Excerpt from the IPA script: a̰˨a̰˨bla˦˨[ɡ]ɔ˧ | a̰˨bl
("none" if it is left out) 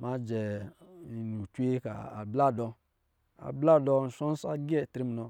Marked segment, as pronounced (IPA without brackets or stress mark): d